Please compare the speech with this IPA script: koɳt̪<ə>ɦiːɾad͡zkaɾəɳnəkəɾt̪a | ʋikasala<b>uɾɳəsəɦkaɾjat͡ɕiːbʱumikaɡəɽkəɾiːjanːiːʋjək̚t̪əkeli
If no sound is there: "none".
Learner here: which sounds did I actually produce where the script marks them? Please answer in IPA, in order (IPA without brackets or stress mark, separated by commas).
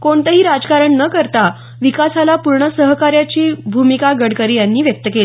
ə, p